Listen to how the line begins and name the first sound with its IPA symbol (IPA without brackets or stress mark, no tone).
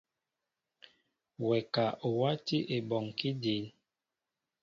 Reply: w